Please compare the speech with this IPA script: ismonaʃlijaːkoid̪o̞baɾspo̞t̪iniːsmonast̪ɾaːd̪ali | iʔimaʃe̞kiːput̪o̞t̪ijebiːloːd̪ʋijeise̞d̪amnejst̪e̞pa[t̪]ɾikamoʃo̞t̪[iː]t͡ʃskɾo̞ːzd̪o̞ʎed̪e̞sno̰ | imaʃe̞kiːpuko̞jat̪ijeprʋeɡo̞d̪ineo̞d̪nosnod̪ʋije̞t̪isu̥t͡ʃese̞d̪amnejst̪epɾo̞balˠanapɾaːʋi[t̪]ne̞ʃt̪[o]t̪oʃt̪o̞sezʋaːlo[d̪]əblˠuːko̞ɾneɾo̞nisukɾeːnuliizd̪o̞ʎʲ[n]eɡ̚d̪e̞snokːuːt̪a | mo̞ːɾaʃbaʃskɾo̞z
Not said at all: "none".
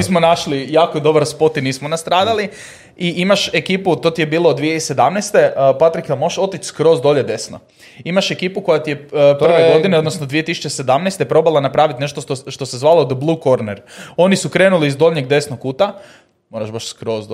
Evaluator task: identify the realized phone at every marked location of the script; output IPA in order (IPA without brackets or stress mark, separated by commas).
t̪, i, t̪, o, d̪, ɲ